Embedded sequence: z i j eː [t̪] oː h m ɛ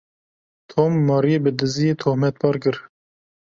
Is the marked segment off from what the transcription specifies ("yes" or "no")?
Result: yes